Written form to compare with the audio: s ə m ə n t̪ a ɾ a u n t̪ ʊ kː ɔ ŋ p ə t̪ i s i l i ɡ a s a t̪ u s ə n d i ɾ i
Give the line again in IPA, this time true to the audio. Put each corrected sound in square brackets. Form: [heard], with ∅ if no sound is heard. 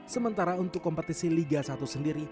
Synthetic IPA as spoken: s ə m ə n t̪ a ɾ a u n t̪ ʊ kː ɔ [m] p ə t̪ i s i l i ɡ a s a t̪ u s ə n d i ɾ i